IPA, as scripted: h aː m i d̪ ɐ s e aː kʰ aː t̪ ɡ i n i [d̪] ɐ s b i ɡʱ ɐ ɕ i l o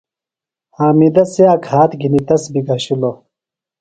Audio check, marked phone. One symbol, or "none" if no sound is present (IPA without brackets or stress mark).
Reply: t̪